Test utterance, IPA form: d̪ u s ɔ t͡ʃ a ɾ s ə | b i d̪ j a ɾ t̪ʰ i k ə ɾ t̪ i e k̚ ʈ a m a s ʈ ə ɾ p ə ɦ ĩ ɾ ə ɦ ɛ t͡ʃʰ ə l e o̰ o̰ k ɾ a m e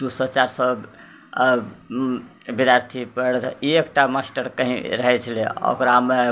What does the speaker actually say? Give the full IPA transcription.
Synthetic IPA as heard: d̪ u s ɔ t͡ʃ a ɾ s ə | b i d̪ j a ɾ t̪ʰ i p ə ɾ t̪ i e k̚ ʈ a m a s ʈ ə ɾ k ə ɦ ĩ ɾ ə ɦ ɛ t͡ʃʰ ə l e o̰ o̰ k ɾ a m e